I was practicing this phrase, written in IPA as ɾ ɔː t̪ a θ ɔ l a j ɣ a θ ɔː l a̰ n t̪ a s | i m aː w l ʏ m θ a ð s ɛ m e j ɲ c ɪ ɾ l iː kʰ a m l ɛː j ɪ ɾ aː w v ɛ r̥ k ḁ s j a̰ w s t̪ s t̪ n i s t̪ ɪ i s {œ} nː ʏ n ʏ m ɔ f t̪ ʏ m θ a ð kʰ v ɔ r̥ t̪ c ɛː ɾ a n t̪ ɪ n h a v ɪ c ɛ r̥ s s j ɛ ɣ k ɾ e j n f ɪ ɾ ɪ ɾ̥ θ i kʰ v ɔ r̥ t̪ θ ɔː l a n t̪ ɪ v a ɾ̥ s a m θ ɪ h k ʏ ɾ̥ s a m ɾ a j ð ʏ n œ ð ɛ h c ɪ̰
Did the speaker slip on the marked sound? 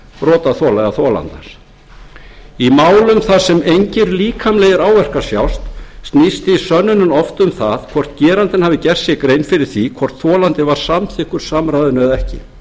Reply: no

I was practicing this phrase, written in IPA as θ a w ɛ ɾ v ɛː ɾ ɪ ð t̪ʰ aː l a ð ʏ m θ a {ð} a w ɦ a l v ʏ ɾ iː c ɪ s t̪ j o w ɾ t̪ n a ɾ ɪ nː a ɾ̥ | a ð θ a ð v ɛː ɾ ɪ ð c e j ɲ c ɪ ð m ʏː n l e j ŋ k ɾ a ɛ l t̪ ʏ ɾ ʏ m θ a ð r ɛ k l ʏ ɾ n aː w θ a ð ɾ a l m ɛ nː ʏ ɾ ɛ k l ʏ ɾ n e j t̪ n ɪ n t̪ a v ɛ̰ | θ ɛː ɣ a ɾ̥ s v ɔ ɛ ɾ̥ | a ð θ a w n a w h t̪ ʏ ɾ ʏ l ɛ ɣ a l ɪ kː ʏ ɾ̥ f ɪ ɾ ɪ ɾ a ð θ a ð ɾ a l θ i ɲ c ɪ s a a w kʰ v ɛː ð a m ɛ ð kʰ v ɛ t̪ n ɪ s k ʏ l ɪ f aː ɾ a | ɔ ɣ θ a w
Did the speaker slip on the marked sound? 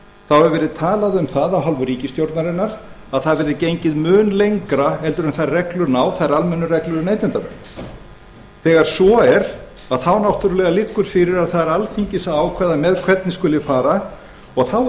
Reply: no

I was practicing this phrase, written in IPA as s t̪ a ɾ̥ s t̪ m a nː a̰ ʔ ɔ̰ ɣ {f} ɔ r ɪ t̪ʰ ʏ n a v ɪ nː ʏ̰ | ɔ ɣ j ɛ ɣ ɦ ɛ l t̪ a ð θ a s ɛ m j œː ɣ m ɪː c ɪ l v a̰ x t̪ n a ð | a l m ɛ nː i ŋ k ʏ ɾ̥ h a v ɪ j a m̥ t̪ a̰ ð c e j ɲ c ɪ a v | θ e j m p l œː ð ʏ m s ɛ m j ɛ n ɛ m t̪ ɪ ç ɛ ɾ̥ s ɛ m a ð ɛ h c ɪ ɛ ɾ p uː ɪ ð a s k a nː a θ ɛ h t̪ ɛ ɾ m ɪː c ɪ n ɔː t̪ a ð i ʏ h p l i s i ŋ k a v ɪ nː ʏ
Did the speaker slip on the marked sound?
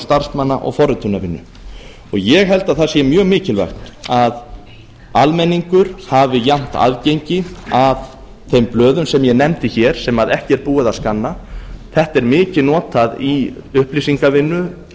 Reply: no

